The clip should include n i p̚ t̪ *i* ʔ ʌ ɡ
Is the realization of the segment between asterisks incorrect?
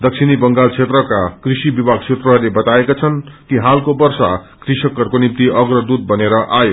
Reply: no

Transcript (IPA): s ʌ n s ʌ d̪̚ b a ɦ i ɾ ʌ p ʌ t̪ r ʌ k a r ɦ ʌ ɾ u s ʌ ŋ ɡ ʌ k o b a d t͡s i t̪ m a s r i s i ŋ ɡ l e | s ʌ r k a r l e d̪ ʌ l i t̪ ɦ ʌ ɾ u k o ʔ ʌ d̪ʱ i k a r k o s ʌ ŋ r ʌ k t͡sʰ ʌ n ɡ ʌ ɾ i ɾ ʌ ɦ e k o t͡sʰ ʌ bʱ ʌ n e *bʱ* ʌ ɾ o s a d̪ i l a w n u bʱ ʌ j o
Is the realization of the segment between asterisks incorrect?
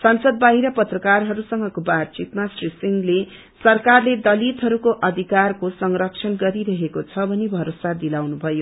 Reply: no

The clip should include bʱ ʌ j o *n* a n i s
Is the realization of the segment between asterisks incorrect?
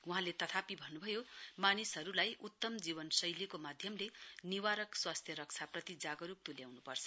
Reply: yes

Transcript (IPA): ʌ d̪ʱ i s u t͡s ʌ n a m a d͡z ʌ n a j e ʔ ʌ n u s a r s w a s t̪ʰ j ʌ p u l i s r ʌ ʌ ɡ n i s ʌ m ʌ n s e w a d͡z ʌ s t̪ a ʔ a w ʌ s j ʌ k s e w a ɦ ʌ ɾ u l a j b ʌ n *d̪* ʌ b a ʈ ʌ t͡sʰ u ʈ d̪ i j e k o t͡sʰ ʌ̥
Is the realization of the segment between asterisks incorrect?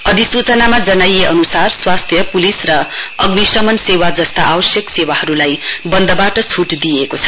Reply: no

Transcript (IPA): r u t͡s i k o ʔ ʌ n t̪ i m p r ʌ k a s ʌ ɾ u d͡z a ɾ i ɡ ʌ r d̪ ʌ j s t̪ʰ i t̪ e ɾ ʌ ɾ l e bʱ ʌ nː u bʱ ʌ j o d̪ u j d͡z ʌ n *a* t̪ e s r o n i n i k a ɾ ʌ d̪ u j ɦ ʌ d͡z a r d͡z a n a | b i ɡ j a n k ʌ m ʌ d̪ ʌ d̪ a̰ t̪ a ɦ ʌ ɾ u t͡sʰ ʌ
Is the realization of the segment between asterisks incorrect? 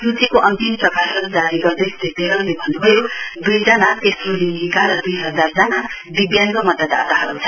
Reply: no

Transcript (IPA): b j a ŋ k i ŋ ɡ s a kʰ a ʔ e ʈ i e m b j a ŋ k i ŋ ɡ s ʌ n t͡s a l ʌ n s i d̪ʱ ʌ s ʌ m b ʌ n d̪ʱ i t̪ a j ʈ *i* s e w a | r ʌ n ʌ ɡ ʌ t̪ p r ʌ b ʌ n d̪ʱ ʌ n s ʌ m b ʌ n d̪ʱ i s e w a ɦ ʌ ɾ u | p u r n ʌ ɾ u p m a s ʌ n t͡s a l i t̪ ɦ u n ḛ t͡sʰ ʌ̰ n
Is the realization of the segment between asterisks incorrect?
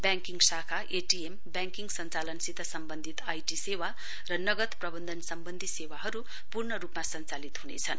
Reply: no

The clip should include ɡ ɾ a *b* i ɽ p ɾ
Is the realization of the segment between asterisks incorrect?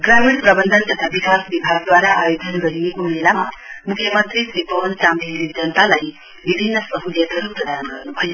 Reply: yes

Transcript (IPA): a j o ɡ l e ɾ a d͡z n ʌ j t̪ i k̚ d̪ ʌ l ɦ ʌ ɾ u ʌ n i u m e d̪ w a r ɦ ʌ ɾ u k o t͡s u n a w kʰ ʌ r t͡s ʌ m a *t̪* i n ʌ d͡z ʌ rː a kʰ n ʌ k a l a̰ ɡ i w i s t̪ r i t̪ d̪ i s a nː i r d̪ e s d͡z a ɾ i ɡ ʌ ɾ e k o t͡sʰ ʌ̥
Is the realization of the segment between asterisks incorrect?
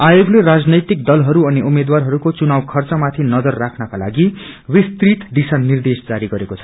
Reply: yes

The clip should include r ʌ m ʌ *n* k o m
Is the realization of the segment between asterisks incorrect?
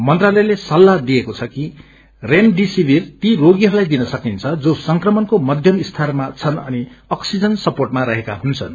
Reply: no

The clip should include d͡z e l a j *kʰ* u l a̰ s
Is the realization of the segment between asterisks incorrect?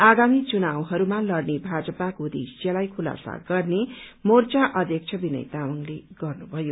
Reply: no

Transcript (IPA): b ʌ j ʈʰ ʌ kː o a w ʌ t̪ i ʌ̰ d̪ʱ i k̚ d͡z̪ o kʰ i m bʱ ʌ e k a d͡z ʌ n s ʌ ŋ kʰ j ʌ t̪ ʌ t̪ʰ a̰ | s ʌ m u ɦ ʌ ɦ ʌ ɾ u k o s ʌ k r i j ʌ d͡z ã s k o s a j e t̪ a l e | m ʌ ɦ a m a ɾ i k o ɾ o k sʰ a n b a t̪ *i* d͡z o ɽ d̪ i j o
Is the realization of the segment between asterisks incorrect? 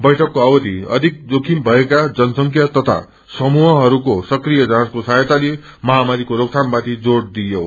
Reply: no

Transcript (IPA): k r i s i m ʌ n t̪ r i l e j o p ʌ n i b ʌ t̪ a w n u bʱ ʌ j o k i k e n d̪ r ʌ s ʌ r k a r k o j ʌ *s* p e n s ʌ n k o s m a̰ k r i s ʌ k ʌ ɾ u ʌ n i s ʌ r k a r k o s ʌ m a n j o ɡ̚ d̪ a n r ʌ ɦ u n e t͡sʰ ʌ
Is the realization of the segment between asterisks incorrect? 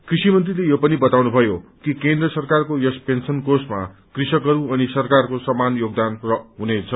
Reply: no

